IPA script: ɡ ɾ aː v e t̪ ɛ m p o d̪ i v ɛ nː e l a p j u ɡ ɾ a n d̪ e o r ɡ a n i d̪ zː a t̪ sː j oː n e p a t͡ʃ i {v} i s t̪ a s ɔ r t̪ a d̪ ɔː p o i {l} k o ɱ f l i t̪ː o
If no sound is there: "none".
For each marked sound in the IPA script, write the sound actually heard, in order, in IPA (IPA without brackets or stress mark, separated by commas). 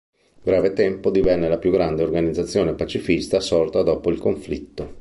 f, l